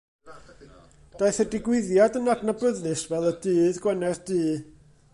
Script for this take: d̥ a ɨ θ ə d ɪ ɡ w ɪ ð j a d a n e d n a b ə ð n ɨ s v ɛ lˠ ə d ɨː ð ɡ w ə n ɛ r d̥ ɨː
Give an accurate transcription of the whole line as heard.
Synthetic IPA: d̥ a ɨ θ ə d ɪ ɡ w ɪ ð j a d ə n a d n a b ə ð n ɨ s v ɛ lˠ ə d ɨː ð ɡ w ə n ɛ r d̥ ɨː